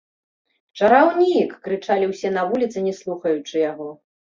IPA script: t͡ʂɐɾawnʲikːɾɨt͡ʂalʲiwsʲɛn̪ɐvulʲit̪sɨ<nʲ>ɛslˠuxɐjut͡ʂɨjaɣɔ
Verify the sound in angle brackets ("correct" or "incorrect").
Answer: correct